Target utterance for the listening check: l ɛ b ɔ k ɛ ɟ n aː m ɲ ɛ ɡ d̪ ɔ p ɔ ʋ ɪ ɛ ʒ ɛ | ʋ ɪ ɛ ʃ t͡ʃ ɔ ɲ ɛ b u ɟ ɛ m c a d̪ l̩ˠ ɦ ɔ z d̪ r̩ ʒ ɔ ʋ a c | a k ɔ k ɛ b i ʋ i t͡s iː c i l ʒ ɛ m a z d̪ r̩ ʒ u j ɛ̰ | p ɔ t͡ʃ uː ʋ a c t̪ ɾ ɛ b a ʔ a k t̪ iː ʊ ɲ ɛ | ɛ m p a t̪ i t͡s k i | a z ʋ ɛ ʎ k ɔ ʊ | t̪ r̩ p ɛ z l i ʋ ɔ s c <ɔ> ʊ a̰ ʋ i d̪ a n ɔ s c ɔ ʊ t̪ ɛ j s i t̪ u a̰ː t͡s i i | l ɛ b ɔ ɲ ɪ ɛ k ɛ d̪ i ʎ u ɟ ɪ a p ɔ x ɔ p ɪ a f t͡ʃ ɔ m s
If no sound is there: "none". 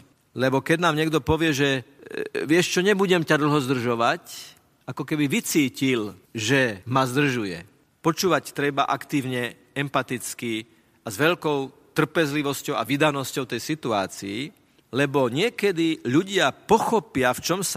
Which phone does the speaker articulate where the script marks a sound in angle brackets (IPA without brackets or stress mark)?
ɔ